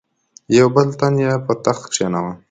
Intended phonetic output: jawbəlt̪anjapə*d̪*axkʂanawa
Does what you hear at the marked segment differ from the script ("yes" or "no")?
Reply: yes